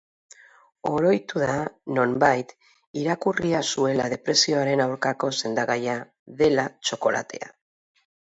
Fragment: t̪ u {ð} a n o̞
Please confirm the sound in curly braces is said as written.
yes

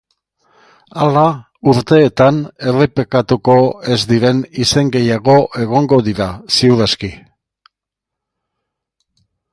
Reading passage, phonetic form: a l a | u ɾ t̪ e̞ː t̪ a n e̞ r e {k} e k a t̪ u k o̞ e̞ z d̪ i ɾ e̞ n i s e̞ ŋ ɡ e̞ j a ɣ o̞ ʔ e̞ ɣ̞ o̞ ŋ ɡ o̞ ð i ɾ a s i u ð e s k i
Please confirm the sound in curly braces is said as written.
no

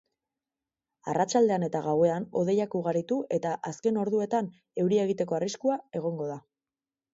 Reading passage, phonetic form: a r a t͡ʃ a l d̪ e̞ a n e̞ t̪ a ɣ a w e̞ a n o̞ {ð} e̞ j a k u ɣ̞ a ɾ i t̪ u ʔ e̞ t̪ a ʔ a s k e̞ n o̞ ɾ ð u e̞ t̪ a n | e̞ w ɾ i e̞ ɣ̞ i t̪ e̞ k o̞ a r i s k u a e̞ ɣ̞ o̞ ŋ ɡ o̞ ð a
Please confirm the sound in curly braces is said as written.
yes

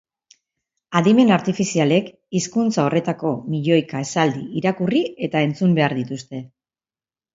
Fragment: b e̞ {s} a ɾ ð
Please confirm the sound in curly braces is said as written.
no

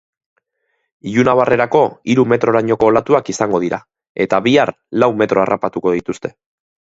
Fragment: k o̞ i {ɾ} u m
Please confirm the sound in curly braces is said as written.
yes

